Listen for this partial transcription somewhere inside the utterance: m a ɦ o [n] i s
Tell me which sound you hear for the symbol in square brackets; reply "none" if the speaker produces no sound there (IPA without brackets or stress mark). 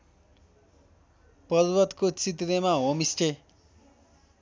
m